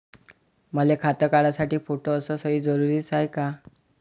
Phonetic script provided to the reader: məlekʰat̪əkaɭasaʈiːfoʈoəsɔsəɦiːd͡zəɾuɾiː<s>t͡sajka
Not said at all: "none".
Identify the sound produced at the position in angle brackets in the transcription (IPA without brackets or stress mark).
none